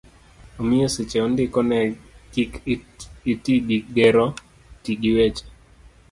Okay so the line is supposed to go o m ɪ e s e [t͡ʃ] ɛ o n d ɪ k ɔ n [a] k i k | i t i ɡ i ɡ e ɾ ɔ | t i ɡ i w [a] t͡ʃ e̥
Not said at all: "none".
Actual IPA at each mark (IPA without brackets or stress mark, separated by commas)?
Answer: t͡ʃ, ɛ, e